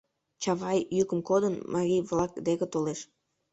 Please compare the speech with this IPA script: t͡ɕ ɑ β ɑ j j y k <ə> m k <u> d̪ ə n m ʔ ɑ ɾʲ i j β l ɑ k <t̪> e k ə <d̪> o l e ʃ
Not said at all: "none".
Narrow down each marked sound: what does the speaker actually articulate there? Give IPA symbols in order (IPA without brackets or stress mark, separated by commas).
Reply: ə, o, d̪, t̪